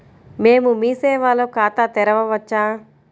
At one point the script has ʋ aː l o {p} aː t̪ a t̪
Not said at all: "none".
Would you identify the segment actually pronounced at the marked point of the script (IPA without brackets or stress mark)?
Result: k